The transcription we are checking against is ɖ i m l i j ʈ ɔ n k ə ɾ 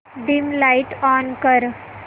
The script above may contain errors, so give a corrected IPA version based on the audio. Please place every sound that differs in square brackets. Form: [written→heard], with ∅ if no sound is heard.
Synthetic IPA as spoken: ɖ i m l [i→a] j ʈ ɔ n k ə ɾ